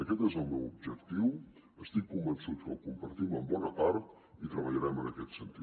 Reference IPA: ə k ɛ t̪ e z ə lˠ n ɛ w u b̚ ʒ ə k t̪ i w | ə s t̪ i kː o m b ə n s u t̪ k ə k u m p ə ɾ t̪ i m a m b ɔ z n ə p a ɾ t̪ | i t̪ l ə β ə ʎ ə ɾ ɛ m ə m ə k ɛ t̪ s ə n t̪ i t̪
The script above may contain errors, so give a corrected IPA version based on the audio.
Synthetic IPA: ə k ɛ t̪ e z ə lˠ m ɛ w u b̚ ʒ ə k t̪ i w | ə s t̪ i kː u m b ə n s u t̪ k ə k u m p ə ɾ t̪ i m ə m b ɔ n ə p a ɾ t̪ | i t̪ ɾ ə β ə ʎ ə ɾ ɛ m ə n ə k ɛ t̪ s ə n t̪ i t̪

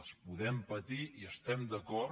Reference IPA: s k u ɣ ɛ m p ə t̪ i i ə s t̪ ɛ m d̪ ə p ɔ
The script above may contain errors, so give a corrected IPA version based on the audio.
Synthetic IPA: s p u ð ɛ m p ə t̪ i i ə s t̪ ɛ m d̪ ə k ɔ

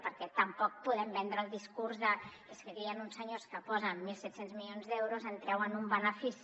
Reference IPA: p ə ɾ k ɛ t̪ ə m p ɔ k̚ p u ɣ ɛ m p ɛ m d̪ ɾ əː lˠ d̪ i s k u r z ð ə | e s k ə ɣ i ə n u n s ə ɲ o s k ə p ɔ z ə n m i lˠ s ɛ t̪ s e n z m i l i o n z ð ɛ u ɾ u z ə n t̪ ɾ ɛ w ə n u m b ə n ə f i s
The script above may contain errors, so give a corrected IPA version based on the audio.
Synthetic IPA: p ə ɾ k ɛ t̪ ə m p ɔ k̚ p u ð ɛ m b ɛ n d̪ ɾ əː lˠ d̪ i s k u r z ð ə | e s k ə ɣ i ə n u n s ə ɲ o s k ə p ɔ z ə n m i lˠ s ɛ t̪ s e n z m i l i o n z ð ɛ w ɾ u z ə n t̪ ɾ ɛ w ə n u m b ə n ə f i s

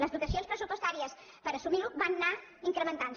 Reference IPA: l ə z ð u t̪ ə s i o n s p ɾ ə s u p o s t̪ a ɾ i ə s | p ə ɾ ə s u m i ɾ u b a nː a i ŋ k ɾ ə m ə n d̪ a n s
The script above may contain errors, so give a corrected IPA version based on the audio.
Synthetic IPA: l ə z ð u t̪ ə s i o n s p ɾ ə s u p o s t̪ a ɾ i ə s | p ə ɾ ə s u m i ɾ u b a nː a i ŋ k ɾ ə m ə n t̪ a n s

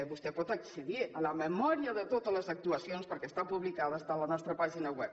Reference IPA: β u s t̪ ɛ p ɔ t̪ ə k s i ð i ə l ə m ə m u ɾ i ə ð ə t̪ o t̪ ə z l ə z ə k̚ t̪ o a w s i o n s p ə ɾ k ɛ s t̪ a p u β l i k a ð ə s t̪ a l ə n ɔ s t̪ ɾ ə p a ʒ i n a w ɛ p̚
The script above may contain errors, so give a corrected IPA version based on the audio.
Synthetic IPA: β u s t̪ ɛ p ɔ t̪ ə k s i ð i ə l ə m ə m ɔ ɾ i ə ð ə t̪ o t̪ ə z l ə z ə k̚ t̪ u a s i o n s p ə ɾ k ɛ s t̪ a p u β l i k a ð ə s t̪ a l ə n ɔ s t̪ ɾ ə p a ʒ i n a w ɛ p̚

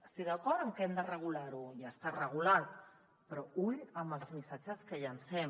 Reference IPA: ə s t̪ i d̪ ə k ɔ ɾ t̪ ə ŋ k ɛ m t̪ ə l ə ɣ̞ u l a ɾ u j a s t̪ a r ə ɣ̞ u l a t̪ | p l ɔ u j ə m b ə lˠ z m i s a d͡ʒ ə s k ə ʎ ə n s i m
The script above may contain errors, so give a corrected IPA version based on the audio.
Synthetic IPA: ə s t̪ i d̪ ə k ɔ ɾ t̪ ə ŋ k ɛ m d̪ ə r ə ɣ̞ u l a ɾ u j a s t̪ a r ə ɣ̞ u l a t̪ | p ɾ ɔ u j ə m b ə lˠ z m i s a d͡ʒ ə s k ə ʎ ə n s ɛ m

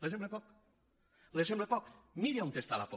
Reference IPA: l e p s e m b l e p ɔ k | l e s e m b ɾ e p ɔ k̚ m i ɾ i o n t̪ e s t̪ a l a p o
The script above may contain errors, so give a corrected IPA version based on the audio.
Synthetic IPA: l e s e m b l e p ɔ k | l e s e m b l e p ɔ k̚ m i ɾ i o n t̪ e s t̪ a l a p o

